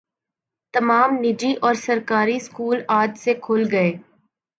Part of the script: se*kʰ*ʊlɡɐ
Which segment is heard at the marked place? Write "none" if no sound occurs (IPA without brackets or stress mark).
kʰ